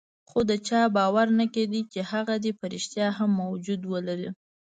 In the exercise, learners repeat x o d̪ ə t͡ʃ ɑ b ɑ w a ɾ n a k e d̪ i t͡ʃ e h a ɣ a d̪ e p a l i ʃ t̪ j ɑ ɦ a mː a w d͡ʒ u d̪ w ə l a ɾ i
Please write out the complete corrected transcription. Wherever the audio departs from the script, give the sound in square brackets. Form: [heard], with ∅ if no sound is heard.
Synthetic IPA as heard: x o d̪ ə t͡ʃ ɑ b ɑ w a ɾ n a k e d̪ i t͡ʃ e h a ɣ a d̪ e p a [ɾ] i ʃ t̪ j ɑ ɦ a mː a w d͡ʒ u d̪ w ə l a ɾ i